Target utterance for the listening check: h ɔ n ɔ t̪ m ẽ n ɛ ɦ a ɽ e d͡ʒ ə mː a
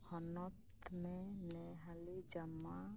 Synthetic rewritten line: h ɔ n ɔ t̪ m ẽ n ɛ ɦ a l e d͡ʒ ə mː a